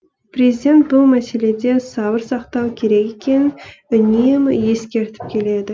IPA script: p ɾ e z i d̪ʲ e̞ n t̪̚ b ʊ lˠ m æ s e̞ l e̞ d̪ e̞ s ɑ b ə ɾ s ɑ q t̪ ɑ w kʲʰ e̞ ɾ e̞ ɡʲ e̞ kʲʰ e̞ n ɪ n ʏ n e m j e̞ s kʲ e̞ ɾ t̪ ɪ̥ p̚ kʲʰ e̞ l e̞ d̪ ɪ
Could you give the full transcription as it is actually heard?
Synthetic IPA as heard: p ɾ e z i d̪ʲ e̞ n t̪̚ b ʊ lˠ m æ s e̞ l e̞ d̪ e̞ s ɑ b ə ɾ s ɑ q t̪ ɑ w kʲʰ e̞ ɾ e̞ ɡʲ e̞ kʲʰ e̞ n ɪ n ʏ n e m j e̞ s kʲ e̞ ɾ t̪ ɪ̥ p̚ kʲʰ e̞ l e̞ d̪ ɪ